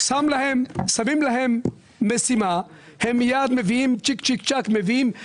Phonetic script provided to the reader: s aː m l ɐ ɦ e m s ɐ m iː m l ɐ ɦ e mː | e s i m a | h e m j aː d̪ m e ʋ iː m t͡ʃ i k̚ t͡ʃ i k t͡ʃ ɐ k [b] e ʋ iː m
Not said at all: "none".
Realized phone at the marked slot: m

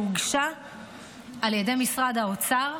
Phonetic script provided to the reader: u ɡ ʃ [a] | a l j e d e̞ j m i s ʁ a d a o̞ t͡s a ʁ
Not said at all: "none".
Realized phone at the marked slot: a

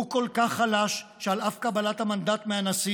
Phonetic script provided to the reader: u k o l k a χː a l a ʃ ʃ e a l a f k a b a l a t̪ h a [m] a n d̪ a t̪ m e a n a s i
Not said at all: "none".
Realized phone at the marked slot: m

